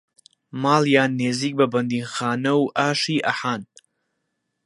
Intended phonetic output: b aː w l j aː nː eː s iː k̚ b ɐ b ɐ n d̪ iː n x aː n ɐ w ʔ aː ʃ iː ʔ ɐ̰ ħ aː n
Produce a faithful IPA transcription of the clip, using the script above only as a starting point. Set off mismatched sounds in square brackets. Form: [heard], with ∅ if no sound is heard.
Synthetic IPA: [m] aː [∅] l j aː nː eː [z] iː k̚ b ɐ b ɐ n d̪ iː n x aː n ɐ w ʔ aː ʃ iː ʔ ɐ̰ ħ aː n